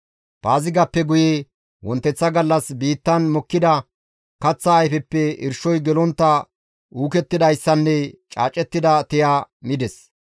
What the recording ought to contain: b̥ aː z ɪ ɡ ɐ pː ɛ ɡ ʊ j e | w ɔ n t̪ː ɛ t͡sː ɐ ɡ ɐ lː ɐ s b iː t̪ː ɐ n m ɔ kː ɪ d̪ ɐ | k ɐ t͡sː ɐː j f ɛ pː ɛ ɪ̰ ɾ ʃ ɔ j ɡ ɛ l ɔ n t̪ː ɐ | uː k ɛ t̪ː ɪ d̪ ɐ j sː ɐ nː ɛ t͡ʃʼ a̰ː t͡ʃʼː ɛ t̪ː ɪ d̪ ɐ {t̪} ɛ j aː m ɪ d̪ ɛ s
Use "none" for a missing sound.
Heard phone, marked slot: t̪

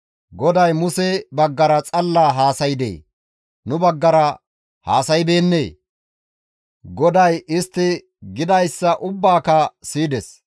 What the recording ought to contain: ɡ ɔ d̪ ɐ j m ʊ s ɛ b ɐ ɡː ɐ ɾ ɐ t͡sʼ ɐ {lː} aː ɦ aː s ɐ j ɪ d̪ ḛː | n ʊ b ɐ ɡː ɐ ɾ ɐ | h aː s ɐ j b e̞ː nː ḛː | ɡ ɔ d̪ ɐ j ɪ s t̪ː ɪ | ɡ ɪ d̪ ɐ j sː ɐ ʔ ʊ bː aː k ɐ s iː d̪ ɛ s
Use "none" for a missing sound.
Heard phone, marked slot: lː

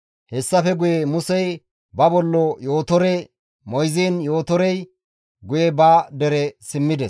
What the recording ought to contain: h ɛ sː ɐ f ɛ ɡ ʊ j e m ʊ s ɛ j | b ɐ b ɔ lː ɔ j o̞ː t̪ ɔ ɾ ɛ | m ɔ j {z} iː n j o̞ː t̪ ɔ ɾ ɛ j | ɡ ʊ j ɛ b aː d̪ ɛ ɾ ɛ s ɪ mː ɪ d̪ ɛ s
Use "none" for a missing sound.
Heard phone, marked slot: z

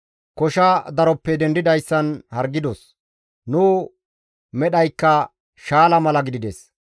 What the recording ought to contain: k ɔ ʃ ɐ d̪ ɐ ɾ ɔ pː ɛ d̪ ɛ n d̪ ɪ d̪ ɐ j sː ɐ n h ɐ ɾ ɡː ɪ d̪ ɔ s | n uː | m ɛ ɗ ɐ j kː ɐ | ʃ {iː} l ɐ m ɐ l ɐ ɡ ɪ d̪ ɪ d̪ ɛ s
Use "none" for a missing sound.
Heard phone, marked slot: aː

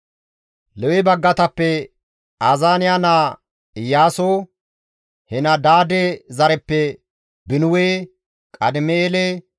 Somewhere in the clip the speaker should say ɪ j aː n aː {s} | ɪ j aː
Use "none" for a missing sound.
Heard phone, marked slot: none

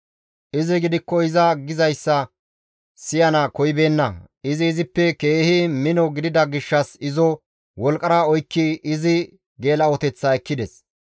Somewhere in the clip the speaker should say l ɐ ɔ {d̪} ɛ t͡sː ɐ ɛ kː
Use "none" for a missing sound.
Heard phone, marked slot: t̪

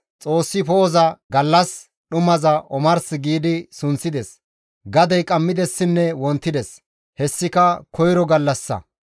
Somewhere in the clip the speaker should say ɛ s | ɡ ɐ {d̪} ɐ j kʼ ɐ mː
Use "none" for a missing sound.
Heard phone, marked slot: d̪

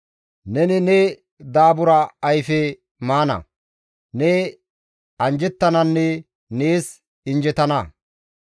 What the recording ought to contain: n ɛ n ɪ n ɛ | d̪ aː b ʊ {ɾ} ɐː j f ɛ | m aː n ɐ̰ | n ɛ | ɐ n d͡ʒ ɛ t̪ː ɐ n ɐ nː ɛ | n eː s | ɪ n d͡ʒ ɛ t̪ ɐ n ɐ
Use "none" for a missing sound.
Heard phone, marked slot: ɾ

